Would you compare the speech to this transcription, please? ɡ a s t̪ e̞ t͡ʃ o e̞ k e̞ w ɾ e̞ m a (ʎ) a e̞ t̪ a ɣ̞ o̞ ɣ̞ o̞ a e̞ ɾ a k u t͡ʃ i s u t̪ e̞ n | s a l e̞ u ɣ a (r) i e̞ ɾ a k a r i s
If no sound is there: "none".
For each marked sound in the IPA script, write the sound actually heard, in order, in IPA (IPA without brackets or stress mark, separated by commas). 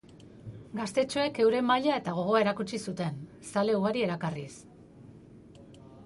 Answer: ʎ, ɾ